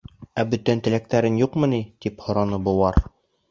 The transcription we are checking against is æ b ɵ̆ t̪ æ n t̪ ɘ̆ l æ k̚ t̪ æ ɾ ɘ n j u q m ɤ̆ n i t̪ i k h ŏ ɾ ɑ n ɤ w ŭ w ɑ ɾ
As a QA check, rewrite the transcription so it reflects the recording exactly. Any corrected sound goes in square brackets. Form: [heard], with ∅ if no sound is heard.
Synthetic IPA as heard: æ b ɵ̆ t̪ æ n t̪ ɘ̆ l æ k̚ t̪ æ ɾ ɘ n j u q m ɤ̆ n i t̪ i [p] h ŏ ɾ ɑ n ɤ [b] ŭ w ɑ ɾ